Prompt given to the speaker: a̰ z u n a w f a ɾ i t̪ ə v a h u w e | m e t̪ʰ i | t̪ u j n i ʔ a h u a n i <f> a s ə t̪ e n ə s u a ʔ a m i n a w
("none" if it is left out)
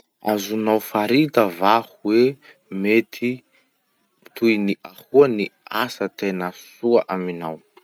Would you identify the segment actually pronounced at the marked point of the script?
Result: none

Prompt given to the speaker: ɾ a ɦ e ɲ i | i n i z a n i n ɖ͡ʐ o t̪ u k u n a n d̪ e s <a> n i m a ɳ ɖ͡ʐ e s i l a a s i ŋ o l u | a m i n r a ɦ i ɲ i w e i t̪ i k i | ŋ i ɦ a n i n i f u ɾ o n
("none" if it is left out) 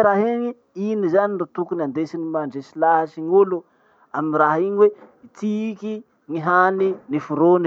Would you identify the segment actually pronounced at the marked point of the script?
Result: i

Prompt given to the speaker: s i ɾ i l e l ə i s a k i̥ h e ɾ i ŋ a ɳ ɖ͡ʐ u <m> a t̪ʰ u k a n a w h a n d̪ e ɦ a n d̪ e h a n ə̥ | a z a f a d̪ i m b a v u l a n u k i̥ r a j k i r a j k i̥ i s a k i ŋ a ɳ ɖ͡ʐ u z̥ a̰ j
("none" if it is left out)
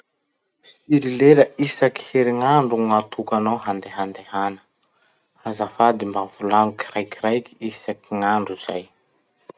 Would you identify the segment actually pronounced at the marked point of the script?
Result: ŋ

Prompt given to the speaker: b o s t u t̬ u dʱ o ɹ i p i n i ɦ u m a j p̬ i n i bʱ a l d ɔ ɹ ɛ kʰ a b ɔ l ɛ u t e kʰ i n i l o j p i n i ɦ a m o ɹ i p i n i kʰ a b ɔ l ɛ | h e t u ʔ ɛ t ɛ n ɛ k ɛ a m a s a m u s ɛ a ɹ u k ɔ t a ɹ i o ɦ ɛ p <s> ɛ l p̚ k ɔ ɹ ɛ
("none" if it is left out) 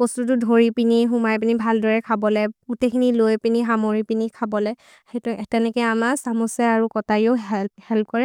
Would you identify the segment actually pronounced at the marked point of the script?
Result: h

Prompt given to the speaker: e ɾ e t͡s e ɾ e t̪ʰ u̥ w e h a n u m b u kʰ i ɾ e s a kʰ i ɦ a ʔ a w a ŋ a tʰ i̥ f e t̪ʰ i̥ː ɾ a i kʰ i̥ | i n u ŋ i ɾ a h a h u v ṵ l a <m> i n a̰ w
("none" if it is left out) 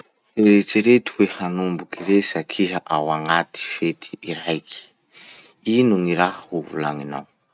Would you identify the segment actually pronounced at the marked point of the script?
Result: ŋ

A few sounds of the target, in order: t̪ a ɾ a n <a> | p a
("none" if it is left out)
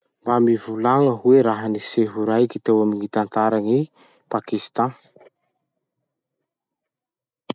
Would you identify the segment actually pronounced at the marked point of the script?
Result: i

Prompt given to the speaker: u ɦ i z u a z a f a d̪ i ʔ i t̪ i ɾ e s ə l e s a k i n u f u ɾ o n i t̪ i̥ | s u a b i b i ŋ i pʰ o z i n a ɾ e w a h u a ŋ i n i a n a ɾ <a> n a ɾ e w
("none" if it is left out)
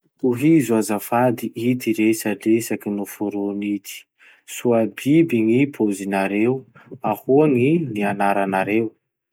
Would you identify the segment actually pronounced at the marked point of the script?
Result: a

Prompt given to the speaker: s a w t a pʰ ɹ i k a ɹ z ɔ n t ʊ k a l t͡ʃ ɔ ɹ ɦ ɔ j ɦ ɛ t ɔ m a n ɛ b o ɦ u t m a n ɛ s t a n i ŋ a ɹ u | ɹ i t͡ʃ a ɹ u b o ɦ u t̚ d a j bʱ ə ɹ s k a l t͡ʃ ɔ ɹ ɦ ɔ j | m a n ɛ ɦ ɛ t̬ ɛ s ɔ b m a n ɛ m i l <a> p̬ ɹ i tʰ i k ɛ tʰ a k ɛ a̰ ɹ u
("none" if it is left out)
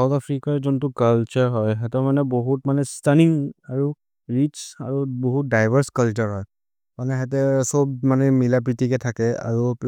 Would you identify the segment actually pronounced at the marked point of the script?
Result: a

